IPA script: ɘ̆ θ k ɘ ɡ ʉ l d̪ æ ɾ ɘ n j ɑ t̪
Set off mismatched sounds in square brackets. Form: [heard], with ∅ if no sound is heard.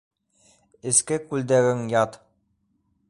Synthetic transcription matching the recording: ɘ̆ [s] k ɘ [k] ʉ l d̪ æ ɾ ɘ [ŋ] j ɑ t̪